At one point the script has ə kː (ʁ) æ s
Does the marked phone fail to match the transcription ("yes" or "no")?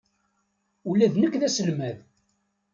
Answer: yes